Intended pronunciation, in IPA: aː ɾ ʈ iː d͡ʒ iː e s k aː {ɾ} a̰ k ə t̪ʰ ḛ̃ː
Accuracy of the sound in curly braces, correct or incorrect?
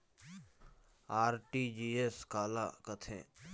incorrect: l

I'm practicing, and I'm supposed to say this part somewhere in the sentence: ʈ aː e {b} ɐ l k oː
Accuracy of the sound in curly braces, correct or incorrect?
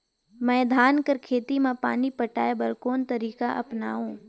correct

